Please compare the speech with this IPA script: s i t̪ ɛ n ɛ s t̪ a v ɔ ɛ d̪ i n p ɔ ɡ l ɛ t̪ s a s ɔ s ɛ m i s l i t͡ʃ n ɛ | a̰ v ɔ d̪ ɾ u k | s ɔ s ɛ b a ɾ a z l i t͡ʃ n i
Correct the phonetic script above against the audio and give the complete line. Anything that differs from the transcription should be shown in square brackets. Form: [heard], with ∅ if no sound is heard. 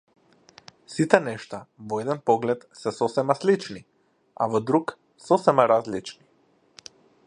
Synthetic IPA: s i t̪ ɛ n ɛ [ʃ] t̪ a v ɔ ɛ d̪ [ɛ] n p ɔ ɡ l ɛ t̪ s [ɛ] s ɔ s ɛ m [a] s l i t͡ʃ n [i] | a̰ v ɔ d̪ ɾ u k | s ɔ s ɛ [m] a ɾ a z l i t͡ʃ n i